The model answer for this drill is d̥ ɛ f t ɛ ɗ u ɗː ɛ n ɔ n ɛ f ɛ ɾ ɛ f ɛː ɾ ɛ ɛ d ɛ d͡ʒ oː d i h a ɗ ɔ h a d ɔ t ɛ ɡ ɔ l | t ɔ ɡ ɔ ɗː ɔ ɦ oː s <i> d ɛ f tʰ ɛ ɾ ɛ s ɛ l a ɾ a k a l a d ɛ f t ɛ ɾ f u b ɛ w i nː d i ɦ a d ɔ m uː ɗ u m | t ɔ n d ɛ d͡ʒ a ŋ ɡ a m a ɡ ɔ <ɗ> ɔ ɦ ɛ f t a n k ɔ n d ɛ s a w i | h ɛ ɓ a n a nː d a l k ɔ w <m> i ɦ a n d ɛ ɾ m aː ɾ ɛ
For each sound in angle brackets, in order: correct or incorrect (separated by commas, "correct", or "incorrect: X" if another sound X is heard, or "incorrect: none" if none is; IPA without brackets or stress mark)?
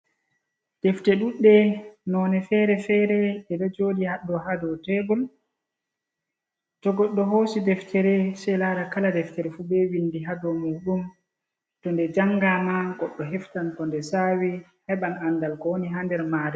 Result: correct, incorrect: ɗː, incorrect: n